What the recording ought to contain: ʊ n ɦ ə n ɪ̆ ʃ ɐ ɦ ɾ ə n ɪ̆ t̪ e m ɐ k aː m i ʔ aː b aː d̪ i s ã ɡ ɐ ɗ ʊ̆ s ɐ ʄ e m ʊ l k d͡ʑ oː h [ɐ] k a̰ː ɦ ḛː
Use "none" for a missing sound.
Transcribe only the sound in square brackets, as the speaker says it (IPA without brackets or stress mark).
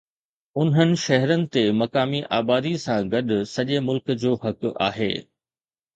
ɐ